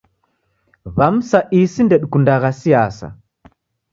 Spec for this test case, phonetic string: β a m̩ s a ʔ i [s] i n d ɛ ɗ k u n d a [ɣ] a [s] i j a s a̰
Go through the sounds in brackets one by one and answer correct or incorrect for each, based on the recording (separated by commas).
correct, correct, correct